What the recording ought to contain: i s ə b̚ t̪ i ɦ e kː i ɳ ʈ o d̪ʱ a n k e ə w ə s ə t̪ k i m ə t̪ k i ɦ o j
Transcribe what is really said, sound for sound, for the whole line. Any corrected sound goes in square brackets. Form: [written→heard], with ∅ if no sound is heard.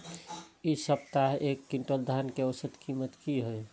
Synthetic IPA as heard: i s ə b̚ t̪ [i→a] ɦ e kː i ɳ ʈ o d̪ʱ a n k e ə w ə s ə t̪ k i m ə t̪ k i ɦ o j